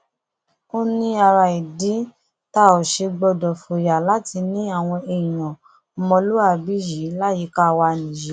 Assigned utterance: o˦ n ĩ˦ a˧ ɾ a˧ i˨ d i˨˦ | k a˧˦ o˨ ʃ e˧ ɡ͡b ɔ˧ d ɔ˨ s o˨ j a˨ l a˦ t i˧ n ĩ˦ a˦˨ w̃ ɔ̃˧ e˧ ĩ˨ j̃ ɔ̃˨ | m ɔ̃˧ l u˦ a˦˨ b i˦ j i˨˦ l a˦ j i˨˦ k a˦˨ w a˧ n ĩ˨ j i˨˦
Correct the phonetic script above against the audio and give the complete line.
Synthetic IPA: o˦ n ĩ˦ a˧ ɾ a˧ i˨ d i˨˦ | t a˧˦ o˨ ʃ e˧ ɡ͡b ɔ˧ d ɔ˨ f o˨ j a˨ l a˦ t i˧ n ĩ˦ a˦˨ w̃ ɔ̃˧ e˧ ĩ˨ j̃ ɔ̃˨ | m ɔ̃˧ l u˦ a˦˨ b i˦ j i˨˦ l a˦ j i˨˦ k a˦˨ w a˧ n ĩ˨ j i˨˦